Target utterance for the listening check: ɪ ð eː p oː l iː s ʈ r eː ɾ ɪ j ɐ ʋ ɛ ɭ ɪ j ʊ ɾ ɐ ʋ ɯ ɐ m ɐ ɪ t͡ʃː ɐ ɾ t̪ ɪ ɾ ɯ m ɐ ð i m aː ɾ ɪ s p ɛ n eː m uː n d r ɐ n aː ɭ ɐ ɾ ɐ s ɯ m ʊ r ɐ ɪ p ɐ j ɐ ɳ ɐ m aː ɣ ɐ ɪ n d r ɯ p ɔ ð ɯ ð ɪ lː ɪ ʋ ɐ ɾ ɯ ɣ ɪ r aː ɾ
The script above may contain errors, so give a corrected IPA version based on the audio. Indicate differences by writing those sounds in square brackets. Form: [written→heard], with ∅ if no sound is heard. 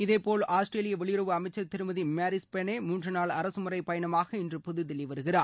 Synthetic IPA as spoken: ɪ ð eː p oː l [iː→aː] s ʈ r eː [ɾ→l] ɪ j ɐ ʋ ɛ ɭ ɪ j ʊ ɾ ɐ ʋ ɯ ɐ m ɐ ɪ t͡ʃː ɐ ɾ t̪ ɪ ɾ ɯ m ɐ ð i m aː ɾ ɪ s p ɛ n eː m uː n d r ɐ n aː ɭ ɐ ɾ ɐ s ɯ m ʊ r ɐ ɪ p ɐ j ɐ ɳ ɐ m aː ɣ ɐ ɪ n d r ɯ p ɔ ð ɯ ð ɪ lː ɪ ʋ ɐ ɾ ɯ ɣ ɪ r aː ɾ